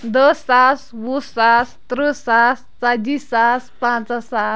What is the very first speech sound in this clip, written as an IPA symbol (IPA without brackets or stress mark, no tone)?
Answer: d̪